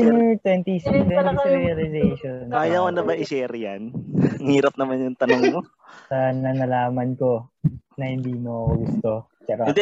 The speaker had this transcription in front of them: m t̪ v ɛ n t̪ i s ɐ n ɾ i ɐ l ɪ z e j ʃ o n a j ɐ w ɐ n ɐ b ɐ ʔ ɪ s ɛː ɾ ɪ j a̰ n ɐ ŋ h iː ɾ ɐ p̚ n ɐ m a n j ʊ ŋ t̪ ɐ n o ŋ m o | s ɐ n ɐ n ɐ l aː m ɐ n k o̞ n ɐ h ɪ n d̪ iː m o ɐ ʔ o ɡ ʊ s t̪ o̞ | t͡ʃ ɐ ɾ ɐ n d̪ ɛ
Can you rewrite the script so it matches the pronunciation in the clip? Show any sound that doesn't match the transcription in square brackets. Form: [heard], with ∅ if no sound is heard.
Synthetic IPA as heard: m t̪ [w] ɛ n t̪ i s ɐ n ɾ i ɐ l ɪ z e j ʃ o n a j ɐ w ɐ n ɐ b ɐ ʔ ɪ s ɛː ɾ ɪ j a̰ n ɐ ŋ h iː ɾ ɐ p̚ n ɐ m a n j ʊ ŋ t̪ ɐ n o ŋ m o | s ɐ n ɐ n ɐ l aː m ɐ n k o̞ n ɐ h ɪ n d̪ iː m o ɐ [k] o ɡ ʊ s t̪ o̞ | t͡ʃ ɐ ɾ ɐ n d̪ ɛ